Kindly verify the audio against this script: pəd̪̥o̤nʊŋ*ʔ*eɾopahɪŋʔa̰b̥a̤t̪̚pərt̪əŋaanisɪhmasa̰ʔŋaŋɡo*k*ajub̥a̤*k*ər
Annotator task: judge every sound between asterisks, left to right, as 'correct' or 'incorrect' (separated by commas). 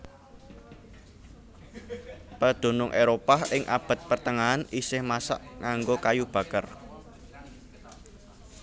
correct, correct, correct